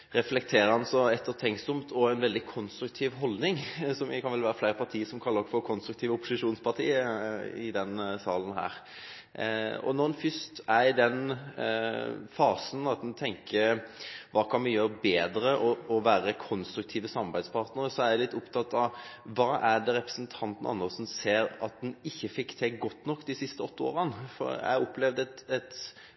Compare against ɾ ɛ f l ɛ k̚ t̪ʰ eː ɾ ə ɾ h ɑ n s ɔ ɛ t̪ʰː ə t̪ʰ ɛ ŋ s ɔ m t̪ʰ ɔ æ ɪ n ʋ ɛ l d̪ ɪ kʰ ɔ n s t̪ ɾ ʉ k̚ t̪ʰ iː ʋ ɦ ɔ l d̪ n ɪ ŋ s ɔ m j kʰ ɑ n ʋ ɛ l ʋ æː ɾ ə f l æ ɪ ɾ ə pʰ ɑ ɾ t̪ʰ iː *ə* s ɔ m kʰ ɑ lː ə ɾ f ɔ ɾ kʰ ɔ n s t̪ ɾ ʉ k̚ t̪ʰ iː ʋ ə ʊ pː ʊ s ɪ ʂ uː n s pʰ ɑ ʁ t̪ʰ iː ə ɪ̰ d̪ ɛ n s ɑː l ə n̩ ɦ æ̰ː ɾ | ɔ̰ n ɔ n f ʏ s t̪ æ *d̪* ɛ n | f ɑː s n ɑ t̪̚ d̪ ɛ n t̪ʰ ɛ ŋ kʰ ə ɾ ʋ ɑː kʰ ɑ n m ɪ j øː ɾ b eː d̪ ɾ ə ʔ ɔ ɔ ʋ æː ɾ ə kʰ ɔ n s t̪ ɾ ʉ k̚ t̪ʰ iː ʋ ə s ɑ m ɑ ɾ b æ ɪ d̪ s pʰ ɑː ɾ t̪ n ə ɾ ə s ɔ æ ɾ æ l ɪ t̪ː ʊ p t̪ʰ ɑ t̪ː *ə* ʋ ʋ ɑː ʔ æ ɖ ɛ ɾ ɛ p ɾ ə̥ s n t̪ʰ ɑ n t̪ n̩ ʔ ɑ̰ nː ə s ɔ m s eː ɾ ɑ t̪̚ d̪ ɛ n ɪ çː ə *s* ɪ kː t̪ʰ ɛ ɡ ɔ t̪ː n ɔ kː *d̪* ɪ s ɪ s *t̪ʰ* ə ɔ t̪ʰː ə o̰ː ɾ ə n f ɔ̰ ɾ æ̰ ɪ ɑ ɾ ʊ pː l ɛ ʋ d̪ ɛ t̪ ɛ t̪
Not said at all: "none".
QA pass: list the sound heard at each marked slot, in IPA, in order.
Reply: ə, d̪, ɑ, f, d̪, t̪

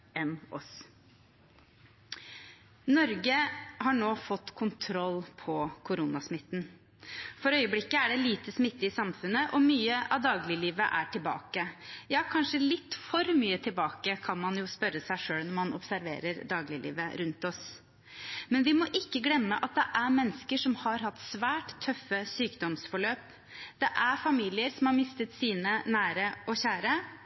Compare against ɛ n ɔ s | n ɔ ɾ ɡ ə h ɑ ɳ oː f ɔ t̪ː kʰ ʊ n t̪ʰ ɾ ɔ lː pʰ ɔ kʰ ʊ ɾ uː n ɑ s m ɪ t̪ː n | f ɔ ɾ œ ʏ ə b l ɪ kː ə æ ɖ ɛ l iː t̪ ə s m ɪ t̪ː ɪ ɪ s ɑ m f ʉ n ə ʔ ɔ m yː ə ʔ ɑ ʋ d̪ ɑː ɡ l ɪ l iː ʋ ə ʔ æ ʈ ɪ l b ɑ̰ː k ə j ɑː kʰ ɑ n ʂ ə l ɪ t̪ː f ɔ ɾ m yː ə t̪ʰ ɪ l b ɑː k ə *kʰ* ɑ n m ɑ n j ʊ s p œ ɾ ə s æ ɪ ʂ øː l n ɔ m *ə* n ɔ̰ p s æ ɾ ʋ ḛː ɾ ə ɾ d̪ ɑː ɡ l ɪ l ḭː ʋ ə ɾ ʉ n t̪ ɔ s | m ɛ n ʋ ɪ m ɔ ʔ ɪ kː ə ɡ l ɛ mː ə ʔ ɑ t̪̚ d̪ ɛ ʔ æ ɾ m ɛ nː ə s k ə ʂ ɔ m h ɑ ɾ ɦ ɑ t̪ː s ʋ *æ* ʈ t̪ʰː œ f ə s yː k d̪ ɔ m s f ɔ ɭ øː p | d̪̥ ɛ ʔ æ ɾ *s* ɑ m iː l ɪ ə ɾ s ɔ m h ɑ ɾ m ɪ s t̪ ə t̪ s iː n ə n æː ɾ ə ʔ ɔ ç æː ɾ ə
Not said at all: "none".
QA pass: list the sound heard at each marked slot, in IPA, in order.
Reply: kʰ, ɑ, æː, f

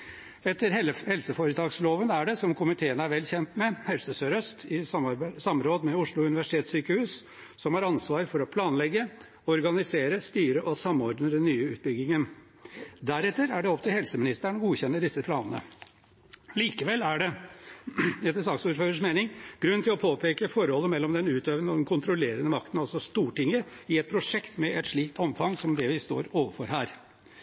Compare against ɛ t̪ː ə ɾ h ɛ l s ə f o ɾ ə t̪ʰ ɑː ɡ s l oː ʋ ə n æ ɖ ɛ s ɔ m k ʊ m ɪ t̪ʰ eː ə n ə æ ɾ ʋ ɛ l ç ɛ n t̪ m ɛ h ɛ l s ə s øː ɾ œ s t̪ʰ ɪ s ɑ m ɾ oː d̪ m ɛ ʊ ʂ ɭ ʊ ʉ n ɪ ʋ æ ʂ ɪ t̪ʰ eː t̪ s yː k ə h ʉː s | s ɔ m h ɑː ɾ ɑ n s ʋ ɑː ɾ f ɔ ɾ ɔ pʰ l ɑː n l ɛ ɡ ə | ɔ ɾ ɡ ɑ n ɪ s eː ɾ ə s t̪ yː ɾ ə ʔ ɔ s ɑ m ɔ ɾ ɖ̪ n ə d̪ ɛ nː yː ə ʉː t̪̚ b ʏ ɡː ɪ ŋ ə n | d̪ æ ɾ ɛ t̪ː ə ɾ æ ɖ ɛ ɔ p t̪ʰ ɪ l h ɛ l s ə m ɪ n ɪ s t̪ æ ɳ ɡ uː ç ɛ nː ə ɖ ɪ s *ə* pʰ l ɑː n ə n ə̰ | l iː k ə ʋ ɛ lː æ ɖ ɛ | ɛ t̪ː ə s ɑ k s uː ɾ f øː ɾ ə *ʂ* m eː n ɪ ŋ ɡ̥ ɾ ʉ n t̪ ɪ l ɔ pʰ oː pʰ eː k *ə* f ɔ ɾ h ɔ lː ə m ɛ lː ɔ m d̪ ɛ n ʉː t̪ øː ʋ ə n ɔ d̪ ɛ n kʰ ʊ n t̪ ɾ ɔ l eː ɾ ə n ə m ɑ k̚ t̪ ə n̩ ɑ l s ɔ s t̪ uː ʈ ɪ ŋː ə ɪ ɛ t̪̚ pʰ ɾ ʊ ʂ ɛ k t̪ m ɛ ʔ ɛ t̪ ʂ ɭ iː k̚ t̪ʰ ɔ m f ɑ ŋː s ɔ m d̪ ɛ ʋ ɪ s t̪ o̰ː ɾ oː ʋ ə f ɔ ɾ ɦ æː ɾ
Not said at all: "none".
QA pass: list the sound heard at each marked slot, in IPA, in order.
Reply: ə, ʂ, ə

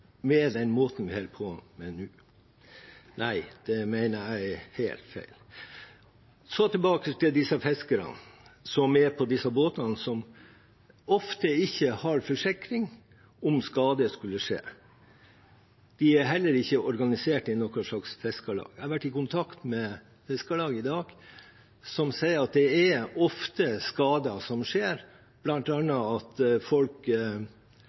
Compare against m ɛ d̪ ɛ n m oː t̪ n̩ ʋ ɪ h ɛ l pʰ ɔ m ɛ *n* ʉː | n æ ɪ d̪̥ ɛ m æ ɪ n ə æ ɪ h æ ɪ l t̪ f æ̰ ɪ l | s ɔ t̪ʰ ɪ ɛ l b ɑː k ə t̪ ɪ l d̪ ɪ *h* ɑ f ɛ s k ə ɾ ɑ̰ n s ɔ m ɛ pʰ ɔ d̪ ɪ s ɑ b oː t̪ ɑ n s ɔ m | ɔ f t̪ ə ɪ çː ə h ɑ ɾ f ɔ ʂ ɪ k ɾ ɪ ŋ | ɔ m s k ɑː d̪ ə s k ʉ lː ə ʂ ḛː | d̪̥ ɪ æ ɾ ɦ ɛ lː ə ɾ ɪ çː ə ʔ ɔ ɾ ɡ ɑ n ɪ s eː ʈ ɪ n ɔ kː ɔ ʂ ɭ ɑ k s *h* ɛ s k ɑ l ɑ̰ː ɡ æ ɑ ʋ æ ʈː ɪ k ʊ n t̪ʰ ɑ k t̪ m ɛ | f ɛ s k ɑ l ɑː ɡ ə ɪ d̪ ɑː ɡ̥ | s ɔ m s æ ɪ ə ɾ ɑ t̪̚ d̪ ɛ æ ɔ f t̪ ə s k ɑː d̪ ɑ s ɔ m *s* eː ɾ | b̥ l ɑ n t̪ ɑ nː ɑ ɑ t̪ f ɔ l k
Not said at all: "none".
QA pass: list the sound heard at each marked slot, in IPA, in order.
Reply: n, s, f, ʂ

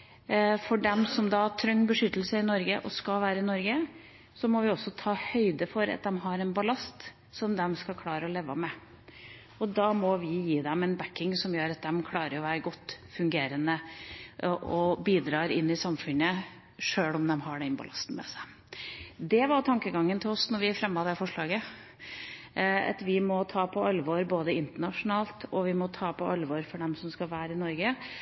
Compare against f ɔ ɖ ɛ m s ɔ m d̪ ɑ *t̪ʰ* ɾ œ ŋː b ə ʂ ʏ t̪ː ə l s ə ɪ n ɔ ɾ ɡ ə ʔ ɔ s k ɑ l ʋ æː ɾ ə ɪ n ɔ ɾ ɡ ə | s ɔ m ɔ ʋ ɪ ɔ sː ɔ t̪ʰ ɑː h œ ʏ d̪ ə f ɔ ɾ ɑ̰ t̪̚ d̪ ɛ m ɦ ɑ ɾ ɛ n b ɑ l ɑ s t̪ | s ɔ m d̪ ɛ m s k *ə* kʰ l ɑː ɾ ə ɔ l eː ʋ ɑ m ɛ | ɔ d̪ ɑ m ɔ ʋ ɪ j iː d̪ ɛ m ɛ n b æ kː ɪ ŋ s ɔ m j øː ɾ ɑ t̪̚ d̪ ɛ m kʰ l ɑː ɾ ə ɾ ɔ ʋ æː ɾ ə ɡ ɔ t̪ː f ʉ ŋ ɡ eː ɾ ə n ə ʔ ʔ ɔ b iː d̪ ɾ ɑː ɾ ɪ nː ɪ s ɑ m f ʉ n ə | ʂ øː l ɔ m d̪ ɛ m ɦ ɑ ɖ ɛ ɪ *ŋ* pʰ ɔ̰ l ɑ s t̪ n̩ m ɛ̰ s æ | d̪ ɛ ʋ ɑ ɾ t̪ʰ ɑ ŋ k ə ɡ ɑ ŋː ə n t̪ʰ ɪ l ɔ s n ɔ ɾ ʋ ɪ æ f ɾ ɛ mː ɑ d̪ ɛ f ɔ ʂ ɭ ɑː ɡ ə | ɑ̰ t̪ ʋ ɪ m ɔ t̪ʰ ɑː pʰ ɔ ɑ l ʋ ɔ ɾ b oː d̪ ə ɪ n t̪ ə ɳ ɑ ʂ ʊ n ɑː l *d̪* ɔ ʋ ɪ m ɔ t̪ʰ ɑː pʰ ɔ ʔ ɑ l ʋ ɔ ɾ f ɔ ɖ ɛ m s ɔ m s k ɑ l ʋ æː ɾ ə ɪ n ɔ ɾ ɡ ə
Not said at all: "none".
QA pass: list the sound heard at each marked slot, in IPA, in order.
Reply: t̪ʰ, ɑ, n, t̪

